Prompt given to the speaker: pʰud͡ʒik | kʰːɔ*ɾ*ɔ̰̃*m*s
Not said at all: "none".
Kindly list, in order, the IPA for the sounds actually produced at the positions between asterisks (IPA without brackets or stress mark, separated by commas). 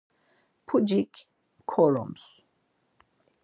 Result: l, m